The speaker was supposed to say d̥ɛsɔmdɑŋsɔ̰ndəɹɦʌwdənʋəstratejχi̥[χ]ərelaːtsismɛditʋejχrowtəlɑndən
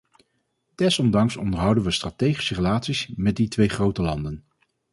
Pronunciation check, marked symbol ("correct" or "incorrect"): incorrect